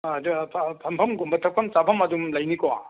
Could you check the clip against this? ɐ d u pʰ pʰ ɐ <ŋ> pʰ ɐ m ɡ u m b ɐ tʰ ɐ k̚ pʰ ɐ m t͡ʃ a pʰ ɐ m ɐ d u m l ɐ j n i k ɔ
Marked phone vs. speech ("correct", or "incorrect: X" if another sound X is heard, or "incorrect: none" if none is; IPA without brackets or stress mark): incorrect: m